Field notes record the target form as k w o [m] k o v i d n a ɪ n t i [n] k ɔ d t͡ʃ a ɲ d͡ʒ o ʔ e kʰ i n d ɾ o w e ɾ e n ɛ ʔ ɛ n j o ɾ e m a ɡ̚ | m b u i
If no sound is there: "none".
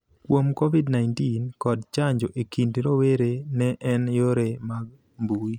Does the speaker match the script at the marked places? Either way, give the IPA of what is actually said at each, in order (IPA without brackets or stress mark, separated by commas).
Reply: m, n